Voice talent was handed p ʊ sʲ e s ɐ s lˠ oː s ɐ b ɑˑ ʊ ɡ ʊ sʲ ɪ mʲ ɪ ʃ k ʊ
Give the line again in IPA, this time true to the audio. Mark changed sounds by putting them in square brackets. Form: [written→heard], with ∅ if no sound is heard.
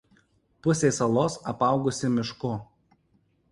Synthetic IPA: p ʊ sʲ e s ɐ [s→∅] lˠ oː s ɐ [b→p] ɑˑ ʊ ɡ ʊ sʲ ɪ mʲ ɪ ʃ k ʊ